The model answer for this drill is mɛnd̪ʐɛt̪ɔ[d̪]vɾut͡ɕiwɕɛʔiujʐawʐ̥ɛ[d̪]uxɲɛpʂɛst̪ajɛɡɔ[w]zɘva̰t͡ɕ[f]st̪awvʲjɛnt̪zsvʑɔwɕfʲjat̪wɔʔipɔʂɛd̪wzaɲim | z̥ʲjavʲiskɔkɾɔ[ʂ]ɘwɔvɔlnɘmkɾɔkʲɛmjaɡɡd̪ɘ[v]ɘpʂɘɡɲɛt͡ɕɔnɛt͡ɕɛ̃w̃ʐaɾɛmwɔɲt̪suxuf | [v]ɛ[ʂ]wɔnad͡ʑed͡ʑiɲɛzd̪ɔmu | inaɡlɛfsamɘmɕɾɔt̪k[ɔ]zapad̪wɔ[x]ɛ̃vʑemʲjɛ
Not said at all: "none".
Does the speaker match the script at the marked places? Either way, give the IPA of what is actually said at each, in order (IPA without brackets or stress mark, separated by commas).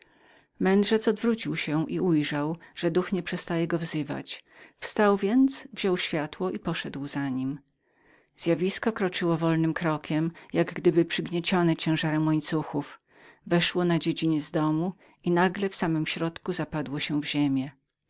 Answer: d̪, d̪, v, f, t͡ʂ, b, v, ʂ, u, ɕ